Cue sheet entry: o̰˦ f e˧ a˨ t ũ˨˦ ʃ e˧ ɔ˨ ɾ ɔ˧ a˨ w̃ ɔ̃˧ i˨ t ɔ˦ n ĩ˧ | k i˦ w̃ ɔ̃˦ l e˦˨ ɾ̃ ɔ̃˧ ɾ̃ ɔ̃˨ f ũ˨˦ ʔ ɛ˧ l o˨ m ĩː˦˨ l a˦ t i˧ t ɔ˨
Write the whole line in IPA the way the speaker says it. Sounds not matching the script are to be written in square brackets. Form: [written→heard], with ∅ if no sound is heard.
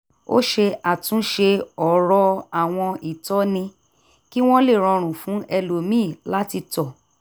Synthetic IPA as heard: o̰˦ [f→ʃ] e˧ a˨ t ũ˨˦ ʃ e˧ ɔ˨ ɾ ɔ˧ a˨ w̃ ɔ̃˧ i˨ t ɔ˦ n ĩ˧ | k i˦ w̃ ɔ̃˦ l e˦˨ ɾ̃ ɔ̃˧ ɾ̃ [ɔ̃˨→ũ˨] f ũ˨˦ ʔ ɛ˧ l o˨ m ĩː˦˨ l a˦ t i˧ t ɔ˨